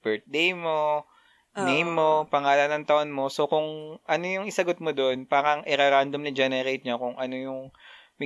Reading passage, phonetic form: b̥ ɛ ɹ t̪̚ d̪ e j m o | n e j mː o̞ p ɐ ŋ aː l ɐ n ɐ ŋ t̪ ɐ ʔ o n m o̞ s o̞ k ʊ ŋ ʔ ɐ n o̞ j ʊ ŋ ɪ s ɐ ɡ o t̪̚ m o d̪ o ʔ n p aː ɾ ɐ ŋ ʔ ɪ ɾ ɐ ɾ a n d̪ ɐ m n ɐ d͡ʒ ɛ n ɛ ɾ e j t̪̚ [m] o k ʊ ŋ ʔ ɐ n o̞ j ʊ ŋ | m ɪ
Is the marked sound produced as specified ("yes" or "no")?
no